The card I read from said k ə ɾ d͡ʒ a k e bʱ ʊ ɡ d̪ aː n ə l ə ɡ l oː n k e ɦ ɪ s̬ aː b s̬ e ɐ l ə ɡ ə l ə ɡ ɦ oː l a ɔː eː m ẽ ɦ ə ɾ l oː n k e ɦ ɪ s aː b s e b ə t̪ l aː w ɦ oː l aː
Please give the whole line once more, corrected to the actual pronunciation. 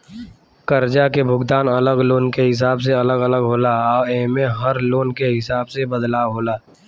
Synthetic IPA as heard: k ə ɾ d͡ʒ a k e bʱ ʊ ɡ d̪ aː n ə l ə ɡ l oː n k e ɦ ɪ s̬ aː b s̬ e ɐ l ə ɡ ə l ə ɡ ɦ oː l a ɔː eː m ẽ ɦ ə ɾ l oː n k e ɦ ɪ s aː b s e b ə d̪ l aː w ɦ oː l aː